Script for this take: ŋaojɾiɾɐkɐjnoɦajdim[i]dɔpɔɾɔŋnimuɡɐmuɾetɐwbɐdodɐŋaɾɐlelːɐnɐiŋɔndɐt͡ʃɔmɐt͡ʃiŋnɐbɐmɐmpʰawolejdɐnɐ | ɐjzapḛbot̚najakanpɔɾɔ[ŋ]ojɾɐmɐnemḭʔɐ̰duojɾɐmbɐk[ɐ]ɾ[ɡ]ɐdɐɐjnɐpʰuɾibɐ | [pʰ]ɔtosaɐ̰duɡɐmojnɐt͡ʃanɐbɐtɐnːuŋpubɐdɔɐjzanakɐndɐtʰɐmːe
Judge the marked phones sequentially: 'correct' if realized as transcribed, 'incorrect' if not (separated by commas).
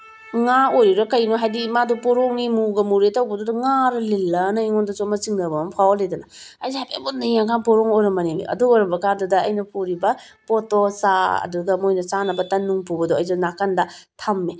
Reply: incorrect, correct, incorrect, incorrect, incorrect